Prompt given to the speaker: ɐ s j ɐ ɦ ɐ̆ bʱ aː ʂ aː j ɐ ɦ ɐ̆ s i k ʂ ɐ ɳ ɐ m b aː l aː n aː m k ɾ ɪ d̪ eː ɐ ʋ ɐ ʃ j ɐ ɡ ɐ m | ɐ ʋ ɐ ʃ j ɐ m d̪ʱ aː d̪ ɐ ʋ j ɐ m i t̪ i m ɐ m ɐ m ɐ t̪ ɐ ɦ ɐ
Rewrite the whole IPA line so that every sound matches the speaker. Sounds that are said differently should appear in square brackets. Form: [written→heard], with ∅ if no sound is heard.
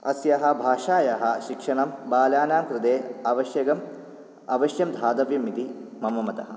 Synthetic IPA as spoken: ɐ s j ɐ ɦ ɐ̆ bʱ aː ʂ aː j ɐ ɦ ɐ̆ [s→ʃ] i k ʂ ɐ ɳ ɐ m b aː l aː n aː m k ɾ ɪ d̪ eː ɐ ʋ ɐ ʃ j ɐ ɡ ɐ m | ɐ ʋ ɐ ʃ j ɐ m d̪ʱ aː d̪ ɐ ʋ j ɐ m i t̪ i m ɐ m ɐ m ɐ t̪ ɐ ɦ ɐ